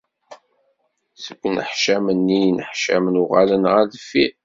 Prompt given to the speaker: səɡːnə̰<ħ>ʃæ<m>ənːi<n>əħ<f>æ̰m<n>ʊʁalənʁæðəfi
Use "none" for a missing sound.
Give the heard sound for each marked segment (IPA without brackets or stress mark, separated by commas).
ħ, m, n, ʃ, n